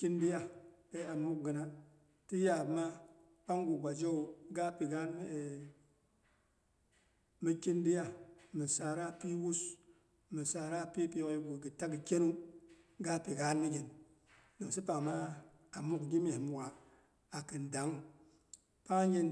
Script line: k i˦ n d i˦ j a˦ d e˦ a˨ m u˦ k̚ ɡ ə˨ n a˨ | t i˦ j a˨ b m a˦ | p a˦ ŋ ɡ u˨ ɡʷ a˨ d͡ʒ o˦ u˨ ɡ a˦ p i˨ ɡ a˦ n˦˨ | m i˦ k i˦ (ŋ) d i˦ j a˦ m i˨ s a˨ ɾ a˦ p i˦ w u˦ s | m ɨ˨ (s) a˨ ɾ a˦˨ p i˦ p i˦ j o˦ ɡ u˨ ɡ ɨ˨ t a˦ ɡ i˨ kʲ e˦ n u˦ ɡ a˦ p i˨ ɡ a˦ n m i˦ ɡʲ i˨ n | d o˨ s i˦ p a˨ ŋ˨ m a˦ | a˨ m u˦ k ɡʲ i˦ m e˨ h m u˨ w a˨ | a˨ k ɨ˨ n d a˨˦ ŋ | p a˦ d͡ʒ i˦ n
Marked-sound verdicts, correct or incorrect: incorrect: n, correct

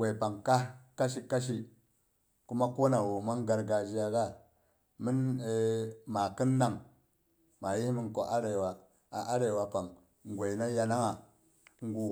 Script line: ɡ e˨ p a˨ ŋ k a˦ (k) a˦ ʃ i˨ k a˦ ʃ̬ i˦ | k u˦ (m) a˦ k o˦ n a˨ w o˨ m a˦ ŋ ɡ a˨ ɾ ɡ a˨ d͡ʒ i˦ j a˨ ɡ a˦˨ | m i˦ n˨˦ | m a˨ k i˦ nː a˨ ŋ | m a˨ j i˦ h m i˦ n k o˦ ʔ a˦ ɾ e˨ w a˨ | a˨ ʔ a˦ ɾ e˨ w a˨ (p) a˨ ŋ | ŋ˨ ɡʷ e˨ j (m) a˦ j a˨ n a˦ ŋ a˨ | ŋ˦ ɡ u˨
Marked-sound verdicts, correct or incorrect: correct, correct, correct, incorrect: n

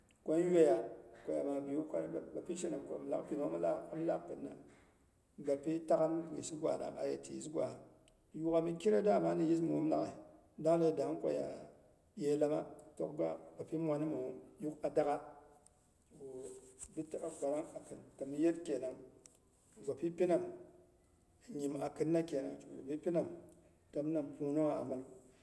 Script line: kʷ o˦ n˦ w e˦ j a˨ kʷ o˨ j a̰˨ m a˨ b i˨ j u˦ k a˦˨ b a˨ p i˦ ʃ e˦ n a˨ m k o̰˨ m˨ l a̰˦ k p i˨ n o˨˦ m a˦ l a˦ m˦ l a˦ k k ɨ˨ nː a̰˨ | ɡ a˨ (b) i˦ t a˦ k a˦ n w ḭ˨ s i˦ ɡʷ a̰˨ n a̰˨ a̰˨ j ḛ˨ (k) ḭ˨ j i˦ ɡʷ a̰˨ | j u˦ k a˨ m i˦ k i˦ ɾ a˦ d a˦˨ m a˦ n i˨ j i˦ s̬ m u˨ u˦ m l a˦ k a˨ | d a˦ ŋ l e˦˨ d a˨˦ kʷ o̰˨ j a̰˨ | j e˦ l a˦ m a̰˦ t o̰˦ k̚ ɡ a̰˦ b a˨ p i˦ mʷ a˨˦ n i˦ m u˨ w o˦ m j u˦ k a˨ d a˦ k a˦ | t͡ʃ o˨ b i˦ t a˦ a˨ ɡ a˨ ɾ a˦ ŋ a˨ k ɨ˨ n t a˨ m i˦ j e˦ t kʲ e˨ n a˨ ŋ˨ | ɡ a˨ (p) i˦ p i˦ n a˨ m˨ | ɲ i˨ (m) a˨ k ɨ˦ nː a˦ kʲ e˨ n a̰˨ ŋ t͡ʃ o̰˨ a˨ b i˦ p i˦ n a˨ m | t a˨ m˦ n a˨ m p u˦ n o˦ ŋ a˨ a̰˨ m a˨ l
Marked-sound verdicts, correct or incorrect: incorrect: p, incorrect: t, correct, correct

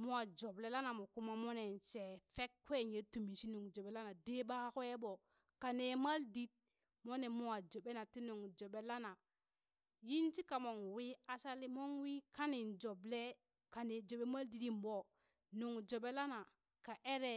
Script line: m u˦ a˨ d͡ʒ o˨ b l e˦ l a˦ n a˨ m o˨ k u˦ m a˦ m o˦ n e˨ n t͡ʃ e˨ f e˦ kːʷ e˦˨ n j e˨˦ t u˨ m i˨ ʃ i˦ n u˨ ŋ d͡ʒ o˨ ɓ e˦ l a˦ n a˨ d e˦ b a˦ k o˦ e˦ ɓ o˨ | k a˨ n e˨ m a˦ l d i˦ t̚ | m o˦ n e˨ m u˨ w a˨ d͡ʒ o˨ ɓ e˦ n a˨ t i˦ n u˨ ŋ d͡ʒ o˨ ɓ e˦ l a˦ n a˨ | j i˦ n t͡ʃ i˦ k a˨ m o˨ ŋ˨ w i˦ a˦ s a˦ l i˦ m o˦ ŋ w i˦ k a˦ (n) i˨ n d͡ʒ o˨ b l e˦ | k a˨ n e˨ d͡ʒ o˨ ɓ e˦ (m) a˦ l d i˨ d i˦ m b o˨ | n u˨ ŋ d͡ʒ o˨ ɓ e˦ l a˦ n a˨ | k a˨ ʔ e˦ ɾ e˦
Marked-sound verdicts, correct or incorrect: correct, correct

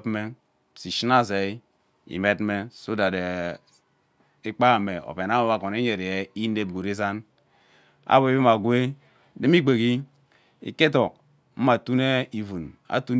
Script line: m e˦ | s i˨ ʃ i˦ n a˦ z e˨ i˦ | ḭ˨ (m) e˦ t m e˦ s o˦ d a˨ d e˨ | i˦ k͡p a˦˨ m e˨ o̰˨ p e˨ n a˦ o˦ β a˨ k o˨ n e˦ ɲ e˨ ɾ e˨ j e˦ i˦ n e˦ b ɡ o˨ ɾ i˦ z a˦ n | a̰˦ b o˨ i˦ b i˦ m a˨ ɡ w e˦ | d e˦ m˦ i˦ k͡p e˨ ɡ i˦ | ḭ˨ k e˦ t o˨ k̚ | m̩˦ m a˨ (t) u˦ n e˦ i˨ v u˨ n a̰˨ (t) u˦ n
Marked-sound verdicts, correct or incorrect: correct, correct, correct

